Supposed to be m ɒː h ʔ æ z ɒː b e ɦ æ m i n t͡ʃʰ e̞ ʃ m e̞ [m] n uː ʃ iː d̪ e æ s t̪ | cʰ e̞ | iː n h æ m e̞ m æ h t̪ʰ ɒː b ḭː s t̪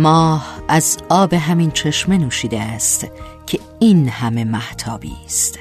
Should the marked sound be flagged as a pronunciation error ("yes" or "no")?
yes